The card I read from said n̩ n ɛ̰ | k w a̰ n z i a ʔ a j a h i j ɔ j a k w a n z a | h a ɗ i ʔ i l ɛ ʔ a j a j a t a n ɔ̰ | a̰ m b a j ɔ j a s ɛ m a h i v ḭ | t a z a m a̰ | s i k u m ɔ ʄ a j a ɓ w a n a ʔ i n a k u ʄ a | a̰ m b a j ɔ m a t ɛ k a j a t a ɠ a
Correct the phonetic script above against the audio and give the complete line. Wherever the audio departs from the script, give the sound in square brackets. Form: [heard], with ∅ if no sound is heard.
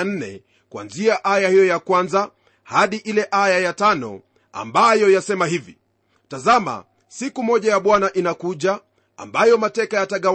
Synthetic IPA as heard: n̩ n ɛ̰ | k w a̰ n z i a ʔ a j a h i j ɔ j a k w a n z a | h a ɗ i ʔ i l ɛ ʔ a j a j a t a n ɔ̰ | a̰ m b a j ɔ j a s ɛ m a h i v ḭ | t a z a m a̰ | s i k u m ɔ ʄ a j a ɓ w a n a ʔ i n a k u ʄ a | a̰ m b a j ɔ m a t ɛ k a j a t a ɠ a